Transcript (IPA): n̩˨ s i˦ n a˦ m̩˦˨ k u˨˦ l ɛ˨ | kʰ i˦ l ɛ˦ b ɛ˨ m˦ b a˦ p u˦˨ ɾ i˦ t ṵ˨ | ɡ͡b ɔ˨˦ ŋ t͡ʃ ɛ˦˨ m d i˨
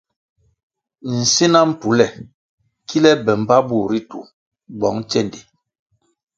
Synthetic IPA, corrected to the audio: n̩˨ s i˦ n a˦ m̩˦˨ p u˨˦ l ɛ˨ | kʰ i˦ l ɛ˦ b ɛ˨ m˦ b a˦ b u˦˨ ɾ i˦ t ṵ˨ | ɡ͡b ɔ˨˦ ŋ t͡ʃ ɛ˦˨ n d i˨